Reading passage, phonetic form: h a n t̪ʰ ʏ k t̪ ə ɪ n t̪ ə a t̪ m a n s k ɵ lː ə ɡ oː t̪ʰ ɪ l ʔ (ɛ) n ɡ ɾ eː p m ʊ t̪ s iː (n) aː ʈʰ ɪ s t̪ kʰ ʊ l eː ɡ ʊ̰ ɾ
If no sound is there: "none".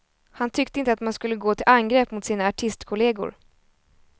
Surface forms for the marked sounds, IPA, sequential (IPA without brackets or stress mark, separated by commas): a, n